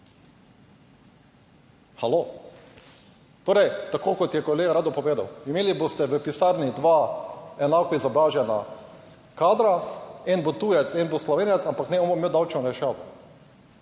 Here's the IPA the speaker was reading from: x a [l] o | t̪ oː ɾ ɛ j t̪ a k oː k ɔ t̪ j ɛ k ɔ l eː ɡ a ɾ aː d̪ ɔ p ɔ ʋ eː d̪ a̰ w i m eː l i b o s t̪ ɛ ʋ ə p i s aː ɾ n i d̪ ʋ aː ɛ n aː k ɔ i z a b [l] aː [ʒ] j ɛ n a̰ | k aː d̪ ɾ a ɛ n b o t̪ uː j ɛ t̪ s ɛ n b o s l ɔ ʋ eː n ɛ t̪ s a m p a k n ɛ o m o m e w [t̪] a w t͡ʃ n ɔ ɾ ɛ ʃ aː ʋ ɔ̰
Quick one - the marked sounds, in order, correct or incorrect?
correct, incorrect, correct, incorrect

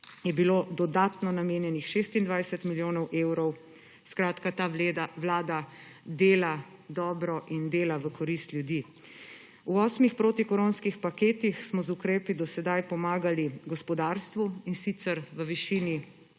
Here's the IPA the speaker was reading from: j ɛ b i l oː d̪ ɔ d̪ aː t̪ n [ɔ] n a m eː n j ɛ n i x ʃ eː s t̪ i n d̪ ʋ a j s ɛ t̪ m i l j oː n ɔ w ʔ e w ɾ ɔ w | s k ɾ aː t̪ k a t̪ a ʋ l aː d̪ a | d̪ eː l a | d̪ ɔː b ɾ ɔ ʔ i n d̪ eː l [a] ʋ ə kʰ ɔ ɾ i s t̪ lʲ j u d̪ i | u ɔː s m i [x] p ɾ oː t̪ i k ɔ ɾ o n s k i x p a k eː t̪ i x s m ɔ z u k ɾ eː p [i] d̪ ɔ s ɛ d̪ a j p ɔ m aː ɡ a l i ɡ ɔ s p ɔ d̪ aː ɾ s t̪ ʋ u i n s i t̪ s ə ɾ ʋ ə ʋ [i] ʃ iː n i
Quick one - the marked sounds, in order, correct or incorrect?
correct, correct, correct, correct, correct

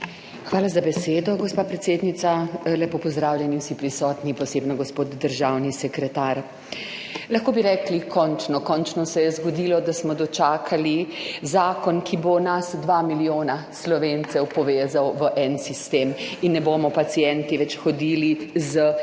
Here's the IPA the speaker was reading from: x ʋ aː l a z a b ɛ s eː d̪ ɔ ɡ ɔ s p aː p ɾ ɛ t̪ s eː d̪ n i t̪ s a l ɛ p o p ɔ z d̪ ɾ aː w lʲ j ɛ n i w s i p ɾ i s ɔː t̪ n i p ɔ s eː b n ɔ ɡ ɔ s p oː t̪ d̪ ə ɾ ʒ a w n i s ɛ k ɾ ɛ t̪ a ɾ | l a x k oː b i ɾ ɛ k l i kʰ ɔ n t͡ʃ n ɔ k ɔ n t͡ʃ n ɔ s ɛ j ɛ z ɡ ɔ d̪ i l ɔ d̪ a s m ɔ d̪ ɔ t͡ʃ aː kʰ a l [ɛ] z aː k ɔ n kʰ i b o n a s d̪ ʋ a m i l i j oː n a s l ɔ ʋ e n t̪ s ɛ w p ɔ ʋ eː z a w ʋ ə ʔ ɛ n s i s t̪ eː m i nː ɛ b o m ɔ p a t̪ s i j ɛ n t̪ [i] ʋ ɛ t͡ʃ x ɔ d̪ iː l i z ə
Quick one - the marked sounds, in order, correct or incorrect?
incorrect, correct

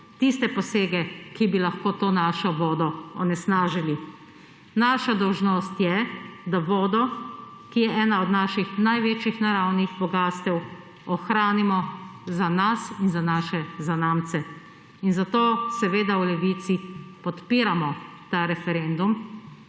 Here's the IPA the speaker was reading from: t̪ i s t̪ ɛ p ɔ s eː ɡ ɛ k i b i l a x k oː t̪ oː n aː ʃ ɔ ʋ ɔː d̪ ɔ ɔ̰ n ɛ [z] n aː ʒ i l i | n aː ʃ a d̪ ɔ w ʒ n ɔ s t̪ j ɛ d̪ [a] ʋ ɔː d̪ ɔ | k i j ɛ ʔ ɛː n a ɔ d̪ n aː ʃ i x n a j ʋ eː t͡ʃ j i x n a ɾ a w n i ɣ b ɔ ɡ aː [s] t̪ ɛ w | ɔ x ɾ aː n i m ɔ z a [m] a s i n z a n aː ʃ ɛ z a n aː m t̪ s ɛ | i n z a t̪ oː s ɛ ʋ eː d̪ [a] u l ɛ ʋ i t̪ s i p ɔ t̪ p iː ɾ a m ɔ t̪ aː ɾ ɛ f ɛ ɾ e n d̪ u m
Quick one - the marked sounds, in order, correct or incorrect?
incorrect, correct, correct, incorrect, correct

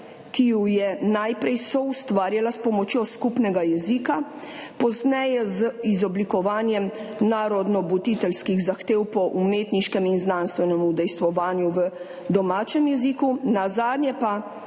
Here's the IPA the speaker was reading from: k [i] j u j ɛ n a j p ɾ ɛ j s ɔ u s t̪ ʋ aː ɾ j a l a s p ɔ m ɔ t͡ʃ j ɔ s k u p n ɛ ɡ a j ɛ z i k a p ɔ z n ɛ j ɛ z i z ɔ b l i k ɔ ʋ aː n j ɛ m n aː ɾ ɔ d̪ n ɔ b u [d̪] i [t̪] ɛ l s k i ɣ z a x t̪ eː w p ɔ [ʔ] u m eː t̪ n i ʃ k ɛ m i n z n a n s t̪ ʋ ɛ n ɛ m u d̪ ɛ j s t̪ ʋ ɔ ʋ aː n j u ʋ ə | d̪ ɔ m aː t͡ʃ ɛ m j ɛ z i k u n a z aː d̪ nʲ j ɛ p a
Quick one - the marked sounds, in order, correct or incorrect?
correct, incorrect, correct, correct

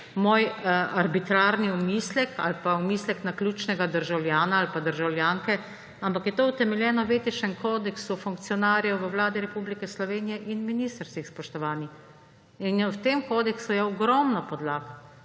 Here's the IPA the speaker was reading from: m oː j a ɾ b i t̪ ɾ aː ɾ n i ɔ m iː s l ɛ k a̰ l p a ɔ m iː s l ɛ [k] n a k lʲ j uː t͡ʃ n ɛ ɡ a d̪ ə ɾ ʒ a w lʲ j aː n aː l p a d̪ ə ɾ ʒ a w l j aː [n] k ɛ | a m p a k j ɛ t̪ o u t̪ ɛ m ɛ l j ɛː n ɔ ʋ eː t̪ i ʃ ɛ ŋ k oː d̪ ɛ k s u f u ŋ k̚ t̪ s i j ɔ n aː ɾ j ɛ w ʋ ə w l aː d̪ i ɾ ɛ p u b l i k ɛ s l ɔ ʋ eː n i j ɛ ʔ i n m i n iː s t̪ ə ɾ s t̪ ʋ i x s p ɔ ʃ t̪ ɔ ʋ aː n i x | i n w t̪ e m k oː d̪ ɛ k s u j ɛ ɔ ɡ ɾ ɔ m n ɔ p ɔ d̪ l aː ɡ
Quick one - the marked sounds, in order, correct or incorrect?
correct, incorrect

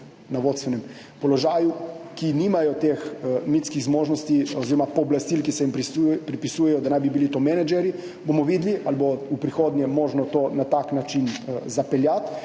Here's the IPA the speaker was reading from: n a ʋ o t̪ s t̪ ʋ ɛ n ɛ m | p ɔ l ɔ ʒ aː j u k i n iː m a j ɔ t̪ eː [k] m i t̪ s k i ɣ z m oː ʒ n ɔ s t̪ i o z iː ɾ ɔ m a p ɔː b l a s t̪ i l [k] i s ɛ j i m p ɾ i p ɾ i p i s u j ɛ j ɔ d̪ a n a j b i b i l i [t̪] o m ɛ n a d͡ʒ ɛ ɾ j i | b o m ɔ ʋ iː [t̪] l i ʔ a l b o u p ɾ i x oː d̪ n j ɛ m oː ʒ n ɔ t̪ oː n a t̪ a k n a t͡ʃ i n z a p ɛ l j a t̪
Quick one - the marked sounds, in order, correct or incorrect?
incorrect, correct, correct, incorrect

